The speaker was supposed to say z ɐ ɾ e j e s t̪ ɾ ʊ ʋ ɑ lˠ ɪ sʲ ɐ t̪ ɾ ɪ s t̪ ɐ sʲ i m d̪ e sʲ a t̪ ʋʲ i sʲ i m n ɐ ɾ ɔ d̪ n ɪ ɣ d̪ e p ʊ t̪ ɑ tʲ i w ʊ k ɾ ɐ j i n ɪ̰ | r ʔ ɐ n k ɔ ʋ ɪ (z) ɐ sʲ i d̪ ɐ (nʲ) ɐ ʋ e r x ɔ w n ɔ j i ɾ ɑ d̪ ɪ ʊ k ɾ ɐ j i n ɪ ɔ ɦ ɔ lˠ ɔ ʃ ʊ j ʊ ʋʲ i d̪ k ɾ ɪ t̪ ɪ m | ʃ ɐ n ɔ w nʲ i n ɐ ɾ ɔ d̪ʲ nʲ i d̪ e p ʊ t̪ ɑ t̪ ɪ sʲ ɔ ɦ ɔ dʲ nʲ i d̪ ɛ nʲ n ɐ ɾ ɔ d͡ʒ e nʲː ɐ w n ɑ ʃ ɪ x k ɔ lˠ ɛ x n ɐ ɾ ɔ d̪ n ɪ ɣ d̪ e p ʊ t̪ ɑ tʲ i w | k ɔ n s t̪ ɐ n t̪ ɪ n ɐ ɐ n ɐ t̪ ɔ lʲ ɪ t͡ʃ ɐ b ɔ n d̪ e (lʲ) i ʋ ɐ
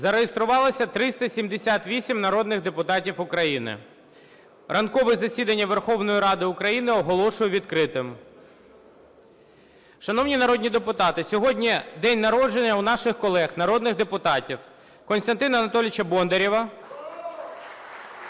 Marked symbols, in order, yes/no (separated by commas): yes, no, no